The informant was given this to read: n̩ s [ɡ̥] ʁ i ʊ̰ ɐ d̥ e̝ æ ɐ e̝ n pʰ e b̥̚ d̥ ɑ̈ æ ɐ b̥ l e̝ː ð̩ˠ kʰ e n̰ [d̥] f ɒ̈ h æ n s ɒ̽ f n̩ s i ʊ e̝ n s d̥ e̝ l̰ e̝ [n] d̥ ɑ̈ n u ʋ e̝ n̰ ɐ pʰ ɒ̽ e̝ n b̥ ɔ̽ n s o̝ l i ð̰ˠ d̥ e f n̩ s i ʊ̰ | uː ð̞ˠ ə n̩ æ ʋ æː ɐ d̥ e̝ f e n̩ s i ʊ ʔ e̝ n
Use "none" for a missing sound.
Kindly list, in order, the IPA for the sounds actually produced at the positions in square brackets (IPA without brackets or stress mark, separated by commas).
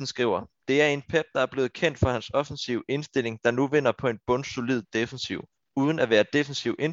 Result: ɡ̥, d̥, ŋ